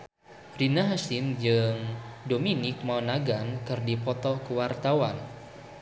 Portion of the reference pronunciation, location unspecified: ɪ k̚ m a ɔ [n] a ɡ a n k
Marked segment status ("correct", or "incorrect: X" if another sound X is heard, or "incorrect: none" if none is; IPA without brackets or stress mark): correct